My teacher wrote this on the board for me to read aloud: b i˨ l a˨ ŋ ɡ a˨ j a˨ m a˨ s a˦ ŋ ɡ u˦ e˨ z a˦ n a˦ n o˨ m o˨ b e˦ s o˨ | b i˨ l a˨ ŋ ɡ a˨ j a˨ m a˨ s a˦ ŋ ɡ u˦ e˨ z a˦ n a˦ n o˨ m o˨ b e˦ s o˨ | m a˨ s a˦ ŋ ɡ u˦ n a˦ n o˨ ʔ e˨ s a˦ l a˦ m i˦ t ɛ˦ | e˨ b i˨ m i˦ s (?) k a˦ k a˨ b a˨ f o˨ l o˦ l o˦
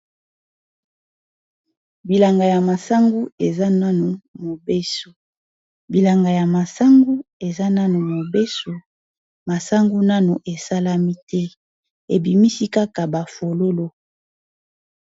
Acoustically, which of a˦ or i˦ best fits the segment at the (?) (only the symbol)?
i˦